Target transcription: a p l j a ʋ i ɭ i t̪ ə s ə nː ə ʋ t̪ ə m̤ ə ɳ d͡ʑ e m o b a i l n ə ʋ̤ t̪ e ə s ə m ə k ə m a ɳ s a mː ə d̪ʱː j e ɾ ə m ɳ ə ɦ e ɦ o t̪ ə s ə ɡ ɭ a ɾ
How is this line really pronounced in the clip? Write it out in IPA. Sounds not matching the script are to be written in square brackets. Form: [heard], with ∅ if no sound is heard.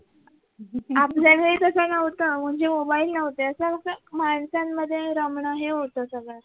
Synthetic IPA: a p l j a ʋ [e] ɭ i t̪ ə s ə [n] ə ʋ t̪ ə m̤ ə ɳ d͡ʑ e m o b a i l n ə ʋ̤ t̪ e ə s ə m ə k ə m a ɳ s a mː ə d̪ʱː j e ɾ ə m ɳ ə ɦ e ɦ o t̪ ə s ə ɡ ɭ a ɾ